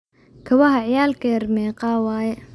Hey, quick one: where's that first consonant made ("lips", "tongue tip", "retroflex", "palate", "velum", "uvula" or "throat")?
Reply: velum